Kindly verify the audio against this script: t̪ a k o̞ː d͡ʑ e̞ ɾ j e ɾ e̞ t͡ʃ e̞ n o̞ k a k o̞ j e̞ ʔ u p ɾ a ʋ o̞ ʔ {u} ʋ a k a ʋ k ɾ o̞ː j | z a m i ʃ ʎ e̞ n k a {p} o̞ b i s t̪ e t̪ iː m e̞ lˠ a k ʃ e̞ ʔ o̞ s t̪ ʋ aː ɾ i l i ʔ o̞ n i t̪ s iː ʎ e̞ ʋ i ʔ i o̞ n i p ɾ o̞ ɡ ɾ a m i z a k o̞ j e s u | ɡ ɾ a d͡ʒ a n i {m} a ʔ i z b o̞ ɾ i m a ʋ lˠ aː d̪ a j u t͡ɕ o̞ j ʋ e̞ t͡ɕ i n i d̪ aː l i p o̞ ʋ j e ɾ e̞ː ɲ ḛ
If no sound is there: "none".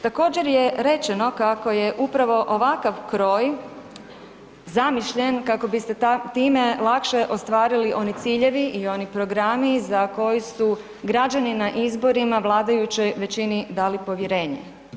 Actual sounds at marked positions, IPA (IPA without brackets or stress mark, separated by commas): o, k, n